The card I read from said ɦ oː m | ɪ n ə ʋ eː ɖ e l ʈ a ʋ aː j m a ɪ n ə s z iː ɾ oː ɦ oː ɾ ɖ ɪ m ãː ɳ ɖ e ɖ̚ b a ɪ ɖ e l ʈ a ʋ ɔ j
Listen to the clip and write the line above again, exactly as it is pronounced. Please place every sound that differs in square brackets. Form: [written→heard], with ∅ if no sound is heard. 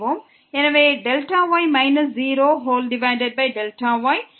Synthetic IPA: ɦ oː m | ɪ n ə ʋ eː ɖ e l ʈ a ʋ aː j m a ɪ n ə s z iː ɾ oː ɦ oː [ɾ→l] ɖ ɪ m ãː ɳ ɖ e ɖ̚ b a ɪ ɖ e l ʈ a ʋ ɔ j